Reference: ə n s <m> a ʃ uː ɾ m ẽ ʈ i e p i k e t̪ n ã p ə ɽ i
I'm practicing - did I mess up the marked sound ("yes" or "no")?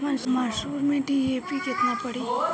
no